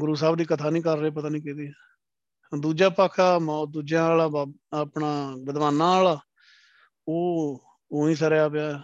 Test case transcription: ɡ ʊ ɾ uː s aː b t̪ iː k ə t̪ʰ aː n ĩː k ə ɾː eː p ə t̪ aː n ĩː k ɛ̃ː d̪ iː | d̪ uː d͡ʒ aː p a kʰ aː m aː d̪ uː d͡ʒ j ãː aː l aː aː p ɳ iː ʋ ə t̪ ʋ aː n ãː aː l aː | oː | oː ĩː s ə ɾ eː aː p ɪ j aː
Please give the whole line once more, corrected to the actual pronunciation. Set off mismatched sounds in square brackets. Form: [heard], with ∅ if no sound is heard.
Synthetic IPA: ɡ ʊ ɾ uː s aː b [d̪] iː k ə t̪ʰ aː n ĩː k ə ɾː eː p ə t̪ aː n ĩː k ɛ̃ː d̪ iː | d̪ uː d͡ʒ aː p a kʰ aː m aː d̪ uː d͡ʒ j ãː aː l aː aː p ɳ [aː] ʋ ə [d̪] ʋ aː n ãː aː l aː | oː | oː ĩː s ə ɾ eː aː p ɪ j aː